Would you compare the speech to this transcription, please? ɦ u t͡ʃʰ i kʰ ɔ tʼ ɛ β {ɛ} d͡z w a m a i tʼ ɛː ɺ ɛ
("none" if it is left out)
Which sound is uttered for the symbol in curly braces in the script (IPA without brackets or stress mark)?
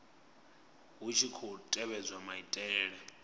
ɛ